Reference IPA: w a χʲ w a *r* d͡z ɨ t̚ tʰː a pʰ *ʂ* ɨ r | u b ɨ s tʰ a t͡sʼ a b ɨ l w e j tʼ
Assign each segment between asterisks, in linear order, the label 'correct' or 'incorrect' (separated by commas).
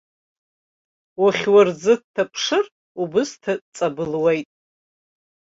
correct, correct